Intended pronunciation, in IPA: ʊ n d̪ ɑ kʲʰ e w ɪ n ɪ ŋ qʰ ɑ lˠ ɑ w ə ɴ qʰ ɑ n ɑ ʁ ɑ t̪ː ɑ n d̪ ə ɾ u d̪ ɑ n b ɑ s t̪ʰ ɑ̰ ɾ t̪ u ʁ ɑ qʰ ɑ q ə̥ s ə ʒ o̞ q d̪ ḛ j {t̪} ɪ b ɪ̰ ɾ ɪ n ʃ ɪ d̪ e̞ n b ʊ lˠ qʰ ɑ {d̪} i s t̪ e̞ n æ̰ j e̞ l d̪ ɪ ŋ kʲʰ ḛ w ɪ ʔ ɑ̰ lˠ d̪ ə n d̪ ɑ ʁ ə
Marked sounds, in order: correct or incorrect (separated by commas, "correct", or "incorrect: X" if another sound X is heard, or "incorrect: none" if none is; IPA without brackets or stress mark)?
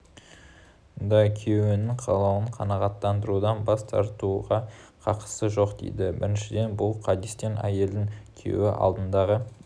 incorrect: d̪, correct